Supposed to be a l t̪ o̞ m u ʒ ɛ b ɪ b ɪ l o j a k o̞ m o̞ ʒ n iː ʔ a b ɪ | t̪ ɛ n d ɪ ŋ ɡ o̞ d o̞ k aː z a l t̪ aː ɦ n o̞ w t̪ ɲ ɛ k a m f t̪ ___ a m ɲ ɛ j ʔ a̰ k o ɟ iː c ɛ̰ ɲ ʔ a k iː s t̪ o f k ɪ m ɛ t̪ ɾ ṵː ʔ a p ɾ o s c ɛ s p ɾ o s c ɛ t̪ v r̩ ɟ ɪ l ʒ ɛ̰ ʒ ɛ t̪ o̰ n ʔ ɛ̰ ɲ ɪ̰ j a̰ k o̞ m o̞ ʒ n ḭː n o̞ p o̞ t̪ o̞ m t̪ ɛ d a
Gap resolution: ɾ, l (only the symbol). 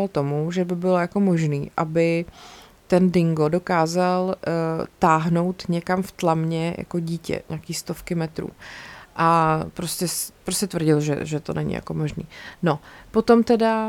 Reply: l